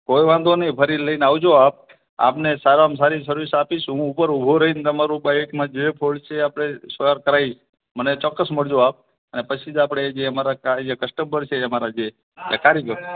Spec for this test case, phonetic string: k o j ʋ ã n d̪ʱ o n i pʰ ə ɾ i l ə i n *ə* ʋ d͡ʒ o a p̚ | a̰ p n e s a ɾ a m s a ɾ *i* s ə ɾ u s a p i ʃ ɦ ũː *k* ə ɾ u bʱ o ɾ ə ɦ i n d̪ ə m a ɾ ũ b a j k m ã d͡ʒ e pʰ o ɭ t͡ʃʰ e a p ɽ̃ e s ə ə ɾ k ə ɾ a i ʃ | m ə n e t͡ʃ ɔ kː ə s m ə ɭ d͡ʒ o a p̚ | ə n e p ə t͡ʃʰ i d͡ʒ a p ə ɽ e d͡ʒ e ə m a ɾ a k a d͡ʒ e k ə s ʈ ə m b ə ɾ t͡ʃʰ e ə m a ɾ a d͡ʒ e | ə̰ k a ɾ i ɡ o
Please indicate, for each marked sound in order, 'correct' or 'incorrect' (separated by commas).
incorrect, correct, incorrect